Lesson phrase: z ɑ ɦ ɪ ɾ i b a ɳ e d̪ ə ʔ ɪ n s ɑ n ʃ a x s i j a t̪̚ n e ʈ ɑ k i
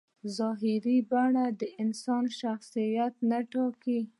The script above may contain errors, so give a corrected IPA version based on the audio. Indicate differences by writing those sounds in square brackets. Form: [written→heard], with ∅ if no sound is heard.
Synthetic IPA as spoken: z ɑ ɦ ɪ ɾ i b a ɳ [e→a] d̪ ə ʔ ɪ n s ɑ n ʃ a x s i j a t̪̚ n [e→a] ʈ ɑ k i